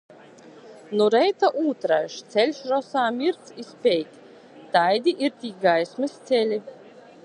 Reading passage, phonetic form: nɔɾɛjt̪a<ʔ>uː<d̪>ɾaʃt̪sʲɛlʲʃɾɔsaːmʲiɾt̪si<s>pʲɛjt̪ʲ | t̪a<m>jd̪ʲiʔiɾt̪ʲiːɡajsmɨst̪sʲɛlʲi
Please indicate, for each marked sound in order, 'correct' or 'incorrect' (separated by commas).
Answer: correct, incorrect, correct, incorrect